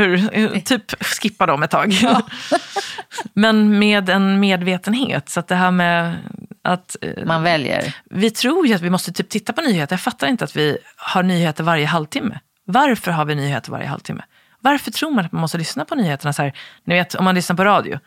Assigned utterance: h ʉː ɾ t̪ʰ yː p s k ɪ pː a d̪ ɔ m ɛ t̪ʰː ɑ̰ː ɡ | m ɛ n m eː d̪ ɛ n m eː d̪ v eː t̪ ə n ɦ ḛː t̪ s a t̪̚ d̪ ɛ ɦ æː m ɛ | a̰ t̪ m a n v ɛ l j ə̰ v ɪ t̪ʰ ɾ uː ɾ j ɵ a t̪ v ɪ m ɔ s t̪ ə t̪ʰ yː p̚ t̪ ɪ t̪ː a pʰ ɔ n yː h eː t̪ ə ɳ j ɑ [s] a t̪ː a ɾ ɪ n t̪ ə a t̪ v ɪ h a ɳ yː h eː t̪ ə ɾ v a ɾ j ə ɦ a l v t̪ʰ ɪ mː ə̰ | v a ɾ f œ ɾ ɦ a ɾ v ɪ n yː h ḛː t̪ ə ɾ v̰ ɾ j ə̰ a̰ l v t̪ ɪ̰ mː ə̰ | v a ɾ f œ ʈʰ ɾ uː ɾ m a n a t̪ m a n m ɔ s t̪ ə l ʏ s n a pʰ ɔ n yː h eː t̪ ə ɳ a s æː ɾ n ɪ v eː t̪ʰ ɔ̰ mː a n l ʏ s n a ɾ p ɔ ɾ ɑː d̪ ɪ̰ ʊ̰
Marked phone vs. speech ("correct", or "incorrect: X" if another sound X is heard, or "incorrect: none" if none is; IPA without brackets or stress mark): incorrect: f